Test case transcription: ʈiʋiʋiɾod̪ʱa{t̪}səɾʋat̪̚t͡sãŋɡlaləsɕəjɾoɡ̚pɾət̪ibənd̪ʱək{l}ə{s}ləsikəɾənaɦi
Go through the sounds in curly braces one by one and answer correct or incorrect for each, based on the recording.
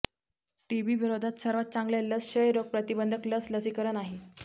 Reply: correct, correct, correct

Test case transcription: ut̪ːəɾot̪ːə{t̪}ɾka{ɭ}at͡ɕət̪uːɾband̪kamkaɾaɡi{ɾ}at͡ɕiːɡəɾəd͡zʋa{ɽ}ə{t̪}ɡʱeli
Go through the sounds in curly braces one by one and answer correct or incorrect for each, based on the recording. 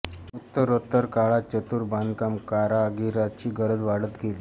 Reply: incorrect, correct, correct, correct, correct

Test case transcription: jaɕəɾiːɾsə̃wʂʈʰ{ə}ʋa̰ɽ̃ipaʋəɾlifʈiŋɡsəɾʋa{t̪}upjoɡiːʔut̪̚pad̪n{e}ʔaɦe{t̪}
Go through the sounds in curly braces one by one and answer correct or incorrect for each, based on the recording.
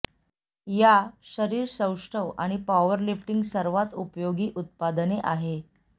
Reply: correct, correct, correct, incorrect

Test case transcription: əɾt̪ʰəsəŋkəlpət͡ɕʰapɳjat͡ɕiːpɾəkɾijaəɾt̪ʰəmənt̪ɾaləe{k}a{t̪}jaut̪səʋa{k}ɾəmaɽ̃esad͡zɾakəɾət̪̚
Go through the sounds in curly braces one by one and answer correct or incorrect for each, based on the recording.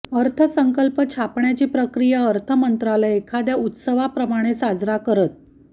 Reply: incorrect, incorrect, incorrect

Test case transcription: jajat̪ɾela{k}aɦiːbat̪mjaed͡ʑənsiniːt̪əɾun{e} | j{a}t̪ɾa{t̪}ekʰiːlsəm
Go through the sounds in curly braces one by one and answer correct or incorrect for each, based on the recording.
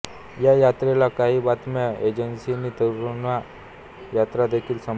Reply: correct, incorrect, correct, incorrect

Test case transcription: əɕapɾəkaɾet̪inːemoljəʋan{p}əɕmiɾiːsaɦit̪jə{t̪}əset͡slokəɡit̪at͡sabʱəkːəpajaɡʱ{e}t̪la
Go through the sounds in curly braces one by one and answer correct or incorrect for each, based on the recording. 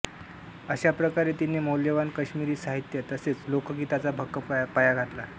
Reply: incorrect, correct, incorrect

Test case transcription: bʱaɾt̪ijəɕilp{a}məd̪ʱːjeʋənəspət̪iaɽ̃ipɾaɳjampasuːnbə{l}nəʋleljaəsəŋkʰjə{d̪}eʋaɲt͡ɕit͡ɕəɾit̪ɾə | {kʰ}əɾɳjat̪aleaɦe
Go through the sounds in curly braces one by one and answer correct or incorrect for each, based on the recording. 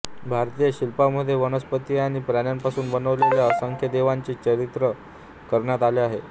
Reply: correct, incorrect, correct, incorrect

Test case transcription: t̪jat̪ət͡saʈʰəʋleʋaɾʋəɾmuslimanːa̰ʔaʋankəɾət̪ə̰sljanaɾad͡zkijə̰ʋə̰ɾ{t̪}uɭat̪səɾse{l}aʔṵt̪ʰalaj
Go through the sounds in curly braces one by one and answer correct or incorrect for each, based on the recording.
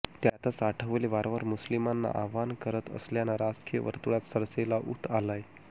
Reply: correct, correct

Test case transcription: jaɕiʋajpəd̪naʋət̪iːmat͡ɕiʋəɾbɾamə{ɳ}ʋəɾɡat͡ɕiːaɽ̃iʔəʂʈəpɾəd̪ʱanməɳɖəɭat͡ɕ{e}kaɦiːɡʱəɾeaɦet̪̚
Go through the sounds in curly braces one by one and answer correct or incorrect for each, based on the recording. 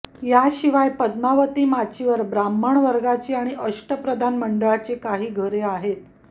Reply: correct, correct

